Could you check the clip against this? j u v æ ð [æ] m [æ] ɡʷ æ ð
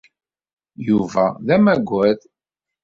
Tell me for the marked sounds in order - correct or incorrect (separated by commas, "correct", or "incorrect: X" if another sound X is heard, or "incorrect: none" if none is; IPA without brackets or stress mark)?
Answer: correct, correct